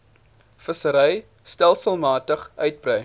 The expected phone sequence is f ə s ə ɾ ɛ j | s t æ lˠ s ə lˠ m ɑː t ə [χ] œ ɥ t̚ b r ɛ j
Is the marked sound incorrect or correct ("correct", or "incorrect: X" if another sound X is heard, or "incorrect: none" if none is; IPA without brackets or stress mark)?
correct